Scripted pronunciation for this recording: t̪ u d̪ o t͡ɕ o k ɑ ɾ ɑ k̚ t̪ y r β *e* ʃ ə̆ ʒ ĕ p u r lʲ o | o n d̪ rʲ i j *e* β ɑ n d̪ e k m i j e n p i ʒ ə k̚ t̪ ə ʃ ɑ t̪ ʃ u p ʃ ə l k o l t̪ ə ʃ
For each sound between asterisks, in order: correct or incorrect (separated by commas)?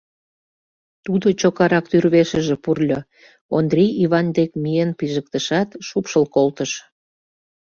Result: correct, incorrect